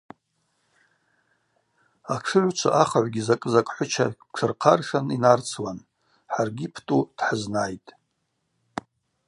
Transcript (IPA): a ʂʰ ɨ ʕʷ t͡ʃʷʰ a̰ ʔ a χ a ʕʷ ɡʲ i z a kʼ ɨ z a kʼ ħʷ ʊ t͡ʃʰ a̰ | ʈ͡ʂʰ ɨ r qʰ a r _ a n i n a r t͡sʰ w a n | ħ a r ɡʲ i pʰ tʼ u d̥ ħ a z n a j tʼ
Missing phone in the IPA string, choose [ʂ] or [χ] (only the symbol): ʂ